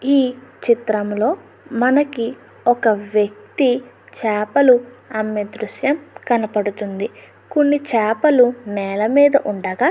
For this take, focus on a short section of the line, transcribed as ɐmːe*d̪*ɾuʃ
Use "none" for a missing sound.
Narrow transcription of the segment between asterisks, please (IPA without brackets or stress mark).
d̪